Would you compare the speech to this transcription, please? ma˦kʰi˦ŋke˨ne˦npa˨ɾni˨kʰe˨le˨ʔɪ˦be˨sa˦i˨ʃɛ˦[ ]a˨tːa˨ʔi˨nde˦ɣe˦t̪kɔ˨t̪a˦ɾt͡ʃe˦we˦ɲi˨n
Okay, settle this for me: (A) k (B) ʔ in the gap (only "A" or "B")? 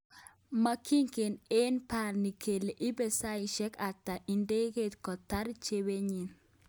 A